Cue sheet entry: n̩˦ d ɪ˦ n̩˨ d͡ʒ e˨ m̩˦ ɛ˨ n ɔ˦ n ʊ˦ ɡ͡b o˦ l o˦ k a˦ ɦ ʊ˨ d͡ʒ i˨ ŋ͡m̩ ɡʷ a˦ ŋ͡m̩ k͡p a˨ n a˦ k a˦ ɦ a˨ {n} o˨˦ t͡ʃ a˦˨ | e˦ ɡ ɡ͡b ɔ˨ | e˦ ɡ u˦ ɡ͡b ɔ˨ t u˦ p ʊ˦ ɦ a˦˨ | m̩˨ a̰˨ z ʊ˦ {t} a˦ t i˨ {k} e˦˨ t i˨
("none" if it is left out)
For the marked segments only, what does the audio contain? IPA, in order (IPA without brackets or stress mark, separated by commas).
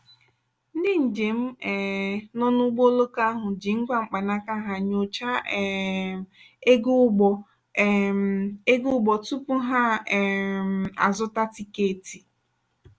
ɲ, t, k